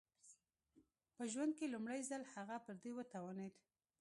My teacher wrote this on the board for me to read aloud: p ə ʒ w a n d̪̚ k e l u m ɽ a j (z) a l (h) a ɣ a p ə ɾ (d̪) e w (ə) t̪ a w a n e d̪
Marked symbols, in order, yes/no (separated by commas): yes, yes, yes, yes